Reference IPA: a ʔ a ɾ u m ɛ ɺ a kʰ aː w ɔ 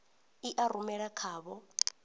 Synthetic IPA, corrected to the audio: i ʔ a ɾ u m ɛ ɺ a kʰ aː β ɔ